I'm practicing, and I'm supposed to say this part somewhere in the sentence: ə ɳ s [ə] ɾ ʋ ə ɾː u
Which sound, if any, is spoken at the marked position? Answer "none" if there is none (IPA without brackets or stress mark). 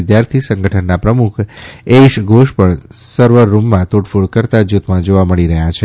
ə